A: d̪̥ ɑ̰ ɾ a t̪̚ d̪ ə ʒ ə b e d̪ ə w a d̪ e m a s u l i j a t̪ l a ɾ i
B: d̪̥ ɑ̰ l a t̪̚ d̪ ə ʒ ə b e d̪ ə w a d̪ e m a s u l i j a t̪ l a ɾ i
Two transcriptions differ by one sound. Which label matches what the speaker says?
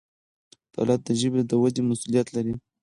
B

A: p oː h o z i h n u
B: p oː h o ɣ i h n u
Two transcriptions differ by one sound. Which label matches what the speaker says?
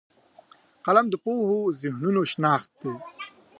A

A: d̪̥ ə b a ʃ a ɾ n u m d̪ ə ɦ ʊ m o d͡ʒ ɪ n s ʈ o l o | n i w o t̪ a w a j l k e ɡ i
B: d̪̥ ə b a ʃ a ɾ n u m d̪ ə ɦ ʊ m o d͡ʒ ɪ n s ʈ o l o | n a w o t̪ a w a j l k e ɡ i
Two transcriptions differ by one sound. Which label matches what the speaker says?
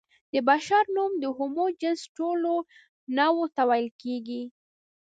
B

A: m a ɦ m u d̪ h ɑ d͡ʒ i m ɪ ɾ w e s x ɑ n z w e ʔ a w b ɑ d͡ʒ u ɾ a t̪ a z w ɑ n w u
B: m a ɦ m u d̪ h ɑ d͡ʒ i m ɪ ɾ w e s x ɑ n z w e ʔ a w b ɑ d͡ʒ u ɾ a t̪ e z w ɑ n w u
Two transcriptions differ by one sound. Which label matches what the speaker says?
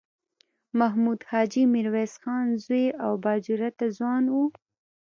A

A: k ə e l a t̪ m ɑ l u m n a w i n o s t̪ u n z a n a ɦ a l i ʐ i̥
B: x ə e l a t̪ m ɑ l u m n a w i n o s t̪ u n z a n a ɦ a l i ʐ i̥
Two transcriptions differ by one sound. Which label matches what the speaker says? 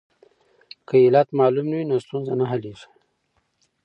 A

